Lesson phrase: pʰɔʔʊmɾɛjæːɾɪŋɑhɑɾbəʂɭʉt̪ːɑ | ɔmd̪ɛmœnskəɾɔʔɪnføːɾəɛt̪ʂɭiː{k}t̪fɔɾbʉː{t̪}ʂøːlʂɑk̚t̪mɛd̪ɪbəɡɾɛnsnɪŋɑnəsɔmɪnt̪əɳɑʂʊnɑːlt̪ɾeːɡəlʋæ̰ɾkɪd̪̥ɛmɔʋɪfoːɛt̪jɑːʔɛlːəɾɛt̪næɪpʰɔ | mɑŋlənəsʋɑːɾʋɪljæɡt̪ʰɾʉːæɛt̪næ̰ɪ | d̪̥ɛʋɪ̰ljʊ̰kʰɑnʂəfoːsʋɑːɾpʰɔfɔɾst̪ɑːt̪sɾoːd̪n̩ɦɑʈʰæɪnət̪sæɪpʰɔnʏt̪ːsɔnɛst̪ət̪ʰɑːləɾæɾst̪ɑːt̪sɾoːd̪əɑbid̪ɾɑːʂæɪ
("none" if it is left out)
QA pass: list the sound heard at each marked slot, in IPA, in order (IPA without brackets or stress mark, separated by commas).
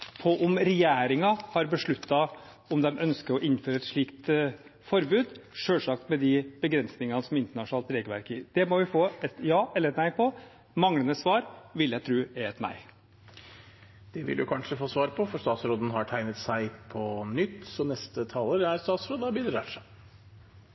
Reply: k, d̪